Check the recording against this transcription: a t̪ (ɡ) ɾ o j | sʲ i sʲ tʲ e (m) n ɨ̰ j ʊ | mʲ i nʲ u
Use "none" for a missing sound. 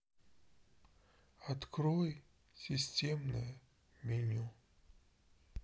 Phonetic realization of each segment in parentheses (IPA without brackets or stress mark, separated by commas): k, m